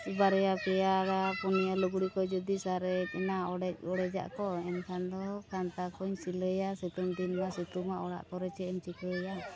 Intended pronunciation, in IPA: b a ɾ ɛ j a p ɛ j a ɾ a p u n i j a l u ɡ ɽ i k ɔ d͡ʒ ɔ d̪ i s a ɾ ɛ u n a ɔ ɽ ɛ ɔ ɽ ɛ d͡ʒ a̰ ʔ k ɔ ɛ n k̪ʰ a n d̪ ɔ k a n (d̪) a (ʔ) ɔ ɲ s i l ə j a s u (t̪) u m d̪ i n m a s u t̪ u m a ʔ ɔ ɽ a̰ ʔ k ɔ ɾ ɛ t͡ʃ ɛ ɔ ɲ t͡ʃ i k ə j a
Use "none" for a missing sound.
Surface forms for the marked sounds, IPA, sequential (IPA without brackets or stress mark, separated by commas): t̪, k, t̪